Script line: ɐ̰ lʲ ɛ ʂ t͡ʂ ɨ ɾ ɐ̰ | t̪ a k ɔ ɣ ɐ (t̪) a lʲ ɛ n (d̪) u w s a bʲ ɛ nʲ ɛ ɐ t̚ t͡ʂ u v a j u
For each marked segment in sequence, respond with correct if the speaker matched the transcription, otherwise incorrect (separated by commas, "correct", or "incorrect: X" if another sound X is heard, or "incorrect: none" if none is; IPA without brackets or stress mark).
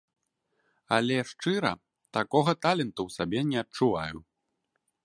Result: correct, incorrect: t̪